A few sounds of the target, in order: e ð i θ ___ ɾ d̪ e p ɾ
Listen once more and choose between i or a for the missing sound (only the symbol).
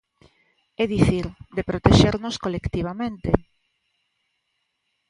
i